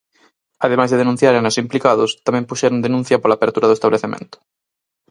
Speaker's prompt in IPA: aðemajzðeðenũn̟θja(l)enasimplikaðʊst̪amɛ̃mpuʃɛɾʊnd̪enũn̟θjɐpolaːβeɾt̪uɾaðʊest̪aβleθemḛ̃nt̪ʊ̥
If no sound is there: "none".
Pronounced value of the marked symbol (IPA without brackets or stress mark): ɾ